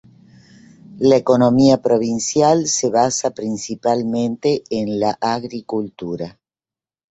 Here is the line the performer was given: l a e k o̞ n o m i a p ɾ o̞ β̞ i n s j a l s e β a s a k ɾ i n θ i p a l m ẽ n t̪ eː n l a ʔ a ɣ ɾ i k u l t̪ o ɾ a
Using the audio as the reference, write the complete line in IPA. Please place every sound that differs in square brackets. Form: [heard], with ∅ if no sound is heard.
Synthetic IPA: l a e k o̞ n o m i a p ɾ o̞ β̞ i n s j a l s e β a s a [p] ɾ i n [s] i p a l m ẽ n t̪ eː n l a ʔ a ɣ ɾ i k u l t̪ [u] ɾ a